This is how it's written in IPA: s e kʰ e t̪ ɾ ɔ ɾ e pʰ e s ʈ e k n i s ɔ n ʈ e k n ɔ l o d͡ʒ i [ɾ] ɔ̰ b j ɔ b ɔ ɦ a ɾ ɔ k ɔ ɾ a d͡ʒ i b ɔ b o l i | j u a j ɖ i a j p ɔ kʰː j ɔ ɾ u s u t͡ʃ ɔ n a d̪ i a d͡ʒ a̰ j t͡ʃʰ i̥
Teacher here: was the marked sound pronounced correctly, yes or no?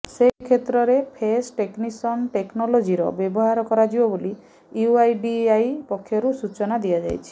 yes